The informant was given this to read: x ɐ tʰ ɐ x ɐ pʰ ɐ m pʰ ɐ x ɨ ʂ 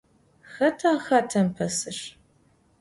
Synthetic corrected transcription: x ɐ tʰ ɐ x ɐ tʰ ɐ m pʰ ɐ s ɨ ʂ